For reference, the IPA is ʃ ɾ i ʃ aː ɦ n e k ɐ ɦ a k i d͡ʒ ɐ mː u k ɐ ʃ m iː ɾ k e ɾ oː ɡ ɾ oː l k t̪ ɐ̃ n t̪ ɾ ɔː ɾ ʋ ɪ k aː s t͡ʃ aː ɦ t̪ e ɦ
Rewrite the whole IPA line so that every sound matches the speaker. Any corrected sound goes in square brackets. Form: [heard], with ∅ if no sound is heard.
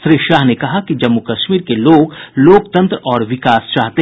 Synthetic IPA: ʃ ɾ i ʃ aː ɦ n e k ɐ ɦ a k i d͡ʒ ɐ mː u k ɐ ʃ m iː ɾ k e [l] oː ɡ [l] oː [∅] k t̪ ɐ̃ n t̪ ɾ ɔː ɾ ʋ ɪ k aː s t͡ʃ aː ɦ t̪ e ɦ